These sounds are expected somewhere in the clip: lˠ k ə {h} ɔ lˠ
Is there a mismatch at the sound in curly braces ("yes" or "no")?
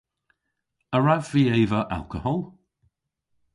no